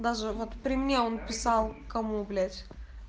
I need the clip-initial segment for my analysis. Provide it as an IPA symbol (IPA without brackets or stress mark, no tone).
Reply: d̪